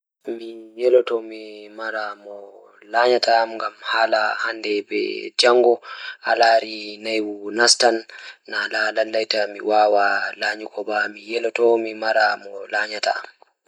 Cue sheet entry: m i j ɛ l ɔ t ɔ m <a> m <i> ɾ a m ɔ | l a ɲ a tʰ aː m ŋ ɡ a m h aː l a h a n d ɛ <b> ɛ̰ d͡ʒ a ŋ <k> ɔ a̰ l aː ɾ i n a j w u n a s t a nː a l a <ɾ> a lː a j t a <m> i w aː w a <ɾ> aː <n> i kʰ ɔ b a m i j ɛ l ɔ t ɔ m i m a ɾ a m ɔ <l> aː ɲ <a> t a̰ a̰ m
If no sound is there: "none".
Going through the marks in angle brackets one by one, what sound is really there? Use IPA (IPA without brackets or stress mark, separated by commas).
i, a, b, ɡ, l, m, l, ɲ, l, a